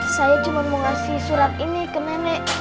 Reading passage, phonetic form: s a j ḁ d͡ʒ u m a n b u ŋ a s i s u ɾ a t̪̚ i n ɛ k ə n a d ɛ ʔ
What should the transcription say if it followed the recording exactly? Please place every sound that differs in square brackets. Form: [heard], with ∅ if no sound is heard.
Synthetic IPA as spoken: s a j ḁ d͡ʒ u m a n [m] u ŋ a s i s u ɾ a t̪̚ i n [i] k ə n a [n] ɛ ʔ